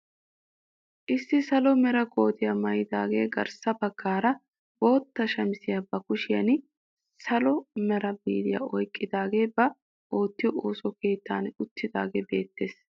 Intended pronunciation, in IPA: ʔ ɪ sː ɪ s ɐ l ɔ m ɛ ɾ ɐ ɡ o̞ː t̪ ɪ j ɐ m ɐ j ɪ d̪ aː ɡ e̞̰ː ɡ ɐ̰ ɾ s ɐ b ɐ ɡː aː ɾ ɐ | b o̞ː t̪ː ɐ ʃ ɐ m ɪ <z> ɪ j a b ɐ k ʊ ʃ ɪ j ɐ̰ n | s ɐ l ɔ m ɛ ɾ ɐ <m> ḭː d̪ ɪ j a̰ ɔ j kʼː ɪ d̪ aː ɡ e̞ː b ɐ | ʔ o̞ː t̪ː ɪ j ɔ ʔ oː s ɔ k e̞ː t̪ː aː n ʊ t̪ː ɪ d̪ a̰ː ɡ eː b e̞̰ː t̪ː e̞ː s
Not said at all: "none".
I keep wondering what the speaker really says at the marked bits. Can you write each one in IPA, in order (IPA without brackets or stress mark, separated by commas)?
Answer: s, b